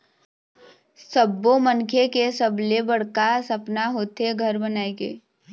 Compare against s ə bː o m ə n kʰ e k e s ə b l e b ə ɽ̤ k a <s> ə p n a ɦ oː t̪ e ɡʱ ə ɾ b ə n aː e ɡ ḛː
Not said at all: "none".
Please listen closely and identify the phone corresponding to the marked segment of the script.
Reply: s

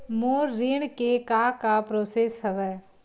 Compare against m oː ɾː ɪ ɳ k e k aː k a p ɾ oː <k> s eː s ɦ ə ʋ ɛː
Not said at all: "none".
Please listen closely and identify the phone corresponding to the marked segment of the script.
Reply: none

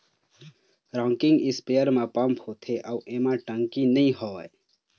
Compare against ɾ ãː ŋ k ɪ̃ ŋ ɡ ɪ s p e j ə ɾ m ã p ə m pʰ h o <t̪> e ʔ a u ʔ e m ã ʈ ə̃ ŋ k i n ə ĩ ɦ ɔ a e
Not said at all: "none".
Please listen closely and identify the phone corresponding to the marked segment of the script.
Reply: t̪ʰ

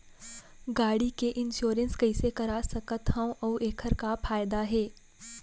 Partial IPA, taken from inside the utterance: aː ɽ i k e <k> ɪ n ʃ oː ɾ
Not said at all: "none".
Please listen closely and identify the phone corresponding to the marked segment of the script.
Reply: ʔ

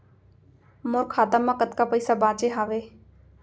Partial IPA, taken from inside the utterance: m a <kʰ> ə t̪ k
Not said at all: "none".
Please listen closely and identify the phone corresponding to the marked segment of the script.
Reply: k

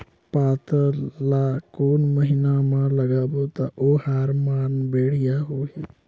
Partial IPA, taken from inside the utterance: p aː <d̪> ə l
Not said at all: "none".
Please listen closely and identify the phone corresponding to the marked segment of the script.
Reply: t̪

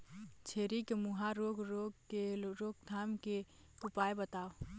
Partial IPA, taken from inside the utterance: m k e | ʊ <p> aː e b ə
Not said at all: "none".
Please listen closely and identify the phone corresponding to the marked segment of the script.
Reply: p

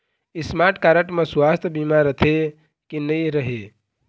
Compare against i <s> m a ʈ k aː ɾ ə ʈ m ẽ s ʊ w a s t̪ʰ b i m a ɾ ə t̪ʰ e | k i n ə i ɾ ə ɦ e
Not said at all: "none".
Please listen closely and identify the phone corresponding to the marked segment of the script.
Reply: s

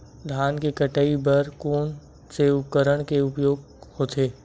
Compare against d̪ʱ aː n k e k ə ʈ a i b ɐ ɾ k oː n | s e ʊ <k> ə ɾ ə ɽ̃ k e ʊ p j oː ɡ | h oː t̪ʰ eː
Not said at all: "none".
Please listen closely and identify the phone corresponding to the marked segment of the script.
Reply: k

